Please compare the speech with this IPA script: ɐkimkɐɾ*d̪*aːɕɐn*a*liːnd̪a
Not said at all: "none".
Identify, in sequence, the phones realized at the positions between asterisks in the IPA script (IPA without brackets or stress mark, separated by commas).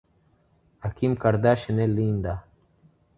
d̪, e